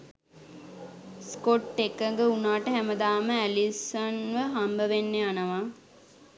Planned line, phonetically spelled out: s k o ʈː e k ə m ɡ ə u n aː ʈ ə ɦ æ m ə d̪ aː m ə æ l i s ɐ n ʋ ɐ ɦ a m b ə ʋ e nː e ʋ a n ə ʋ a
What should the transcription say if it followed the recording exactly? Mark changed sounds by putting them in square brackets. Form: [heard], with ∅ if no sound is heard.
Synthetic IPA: s k o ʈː e k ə [ŋ] ɡ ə u n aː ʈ ə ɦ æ m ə d̪ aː m ə æ l i s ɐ n ʋ [ə] ɦ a m b ə ʋ e nː e [∅] a n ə ʋ a